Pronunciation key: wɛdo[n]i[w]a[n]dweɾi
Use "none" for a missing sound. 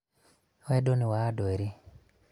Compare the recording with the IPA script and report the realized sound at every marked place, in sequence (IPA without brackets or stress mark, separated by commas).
n, w, none